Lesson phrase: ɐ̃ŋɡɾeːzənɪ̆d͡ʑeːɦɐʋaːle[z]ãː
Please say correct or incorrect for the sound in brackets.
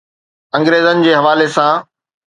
incorrect